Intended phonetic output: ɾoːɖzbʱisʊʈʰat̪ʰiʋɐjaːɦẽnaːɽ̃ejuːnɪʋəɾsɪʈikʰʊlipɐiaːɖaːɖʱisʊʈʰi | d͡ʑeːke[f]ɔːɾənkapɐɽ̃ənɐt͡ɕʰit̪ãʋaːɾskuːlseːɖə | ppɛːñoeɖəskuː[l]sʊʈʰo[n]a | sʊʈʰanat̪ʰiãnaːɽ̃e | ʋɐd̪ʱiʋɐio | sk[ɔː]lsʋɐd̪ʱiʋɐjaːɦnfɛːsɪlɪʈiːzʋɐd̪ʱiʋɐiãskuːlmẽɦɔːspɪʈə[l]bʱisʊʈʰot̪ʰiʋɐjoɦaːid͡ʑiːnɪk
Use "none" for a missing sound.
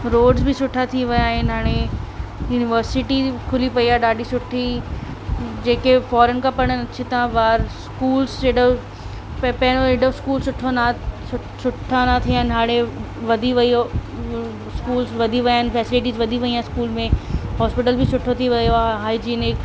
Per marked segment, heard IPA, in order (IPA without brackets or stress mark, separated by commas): f, l, n, uː, l